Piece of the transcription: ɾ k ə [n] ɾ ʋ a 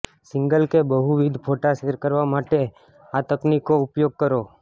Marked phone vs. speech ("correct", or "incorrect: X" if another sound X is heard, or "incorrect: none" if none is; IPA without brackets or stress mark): incorrect: none